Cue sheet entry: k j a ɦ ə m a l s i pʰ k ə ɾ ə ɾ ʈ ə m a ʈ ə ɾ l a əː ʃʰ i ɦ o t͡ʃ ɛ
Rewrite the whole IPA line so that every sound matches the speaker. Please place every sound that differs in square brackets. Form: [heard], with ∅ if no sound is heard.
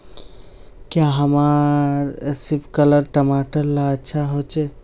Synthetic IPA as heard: k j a ɦ ə m a [ɾ] s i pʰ k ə [l] ə ɾ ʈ ə m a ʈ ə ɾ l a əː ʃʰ [a] ɦ o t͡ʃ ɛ